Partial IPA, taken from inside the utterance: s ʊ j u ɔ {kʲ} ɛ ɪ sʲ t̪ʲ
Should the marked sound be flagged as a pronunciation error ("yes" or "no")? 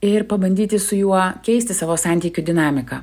no